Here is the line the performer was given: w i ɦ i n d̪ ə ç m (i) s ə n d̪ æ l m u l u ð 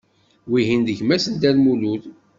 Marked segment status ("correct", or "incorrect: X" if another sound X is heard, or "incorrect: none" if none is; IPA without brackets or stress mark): incorrect: æ